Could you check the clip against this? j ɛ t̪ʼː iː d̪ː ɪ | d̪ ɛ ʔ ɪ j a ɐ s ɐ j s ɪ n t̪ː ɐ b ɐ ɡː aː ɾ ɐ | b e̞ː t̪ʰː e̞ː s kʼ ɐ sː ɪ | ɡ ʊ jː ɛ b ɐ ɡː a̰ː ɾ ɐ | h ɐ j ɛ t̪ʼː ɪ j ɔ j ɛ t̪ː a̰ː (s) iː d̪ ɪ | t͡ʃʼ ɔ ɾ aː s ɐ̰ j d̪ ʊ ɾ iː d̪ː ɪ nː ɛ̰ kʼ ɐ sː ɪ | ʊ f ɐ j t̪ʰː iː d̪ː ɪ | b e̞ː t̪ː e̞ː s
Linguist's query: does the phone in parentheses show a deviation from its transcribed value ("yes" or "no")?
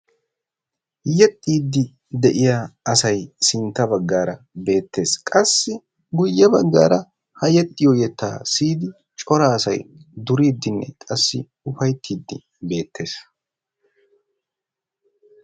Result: no